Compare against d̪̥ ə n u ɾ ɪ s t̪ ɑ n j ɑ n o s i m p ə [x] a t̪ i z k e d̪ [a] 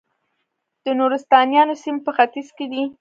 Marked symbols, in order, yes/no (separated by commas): yes, no